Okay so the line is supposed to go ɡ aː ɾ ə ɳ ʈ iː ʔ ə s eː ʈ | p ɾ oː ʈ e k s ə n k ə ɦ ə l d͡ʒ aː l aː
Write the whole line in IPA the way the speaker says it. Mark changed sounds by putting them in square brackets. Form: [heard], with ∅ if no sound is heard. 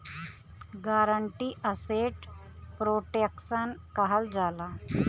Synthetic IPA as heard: ɡ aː ɾ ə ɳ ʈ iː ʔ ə s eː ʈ | p ɾ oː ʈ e k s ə n k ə ɦ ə l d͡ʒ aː l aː

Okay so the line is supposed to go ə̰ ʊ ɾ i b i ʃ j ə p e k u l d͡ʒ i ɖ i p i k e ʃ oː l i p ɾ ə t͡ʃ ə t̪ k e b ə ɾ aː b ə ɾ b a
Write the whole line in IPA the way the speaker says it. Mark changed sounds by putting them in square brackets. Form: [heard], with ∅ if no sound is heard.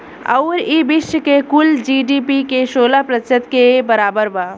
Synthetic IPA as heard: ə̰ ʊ ɾ i b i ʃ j ə [k] e k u l d͡ʒ i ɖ i p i k e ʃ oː l [a] p ɾ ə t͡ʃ ə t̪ k e b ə ɾ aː b ə ɾ b a

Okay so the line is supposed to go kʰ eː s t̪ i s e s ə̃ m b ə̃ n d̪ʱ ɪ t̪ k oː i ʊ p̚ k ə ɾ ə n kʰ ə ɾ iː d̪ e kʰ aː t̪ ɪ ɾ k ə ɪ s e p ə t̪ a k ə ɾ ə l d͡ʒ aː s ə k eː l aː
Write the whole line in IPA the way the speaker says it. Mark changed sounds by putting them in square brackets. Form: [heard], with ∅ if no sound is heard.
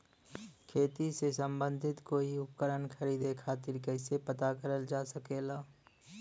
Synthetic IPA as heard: kʰ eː [∅] t̪ i s e s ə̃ m b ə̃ n d̪ʱ ɪ t̪ k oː i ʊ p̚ k ə ɾ ə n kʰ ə ɾ iː d̪ e kʰ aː t̪ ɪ ɾ k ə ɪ s e p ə t̪ a k ə ɾ ə l d͡ʒ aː s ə k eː l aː

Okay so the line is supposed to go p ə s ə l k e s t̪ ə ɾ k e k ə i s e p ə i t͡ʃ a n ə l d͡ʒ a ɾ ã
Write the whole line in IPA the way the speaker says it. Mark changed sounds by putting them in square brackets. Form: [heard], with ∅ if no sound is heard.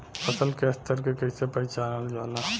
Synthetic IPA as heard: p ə s ə l k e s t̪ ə ɾ k e k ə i s e p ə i t͡ʃ a n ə l d͡ʒ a [l] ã

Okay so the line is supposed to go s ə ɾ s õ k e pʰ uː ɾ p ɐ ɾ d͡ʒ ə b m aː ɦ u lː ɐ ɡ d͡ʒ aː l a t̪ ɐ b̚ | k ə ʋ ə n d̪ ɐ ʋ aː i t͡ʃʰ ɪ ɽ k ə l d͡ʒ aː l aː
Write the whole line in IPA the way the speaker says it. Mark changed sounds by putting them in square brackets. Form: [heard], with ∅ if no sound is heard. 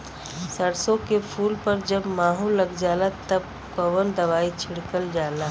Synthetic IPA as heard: s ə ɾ s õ k e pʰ uː [l] p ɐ ɾ d͡ʒ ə b m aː ɦ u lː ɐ ɡ d͡ʒ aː l a t̪ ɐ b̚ | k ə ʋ ə n d̪ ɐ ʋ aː i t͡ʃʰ ɪ ɽ k ə l d͡ʒ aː l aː

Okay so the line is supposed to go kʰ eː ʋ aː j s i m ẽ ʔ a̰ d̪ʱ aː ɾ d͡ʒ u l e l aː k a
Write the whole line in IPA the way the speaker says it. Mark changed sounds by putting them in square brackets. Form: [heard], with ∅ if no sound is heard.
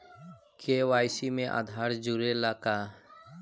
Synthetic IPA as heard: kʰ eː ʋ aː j s i m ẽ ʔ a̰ d̪ʱ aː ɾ d͡ʒ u [ɾ] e l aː k a

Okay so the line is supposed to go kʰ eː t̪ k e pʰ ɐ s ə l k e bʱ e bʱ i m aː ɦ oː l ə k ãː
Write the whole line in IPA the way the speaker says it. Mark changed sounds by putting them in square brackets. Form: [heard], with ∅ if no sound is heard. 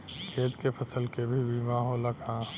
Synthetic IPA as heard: kʰ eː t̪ k e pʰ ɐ s ə l k e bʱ [i] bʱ i m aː ɦ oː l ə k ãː

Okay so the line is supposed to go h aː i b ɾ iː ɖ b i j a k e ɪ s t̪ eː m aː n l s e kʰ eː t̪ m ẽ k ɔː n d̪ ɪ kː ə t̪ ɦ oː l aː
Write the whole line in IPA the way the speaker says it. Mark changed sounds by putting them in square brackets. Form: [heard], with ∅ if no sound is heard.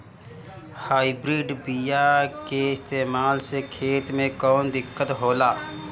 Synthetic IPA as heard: h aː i b ɾ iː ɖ b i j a k e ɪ s t̪ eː m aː [∅] l s e kʰ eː t̪ m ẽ k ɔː n d̪ ɪ kː ə t̪ ɦ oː l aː

